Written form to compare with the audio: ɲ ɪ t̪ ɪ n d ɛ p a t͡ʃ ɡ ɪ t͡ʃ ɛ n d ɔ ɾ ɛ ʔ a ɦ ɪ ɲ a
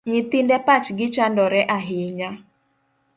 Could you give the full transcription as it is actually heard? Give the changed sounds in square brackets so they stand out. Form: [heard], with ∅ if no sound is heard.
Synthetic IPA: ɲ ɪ t̪ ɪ n d ɛ p a t͡ʃ ɡ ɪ t͡ʃ [a] n d ɔ ɾ ɛ ʔ a ɦ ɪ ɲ a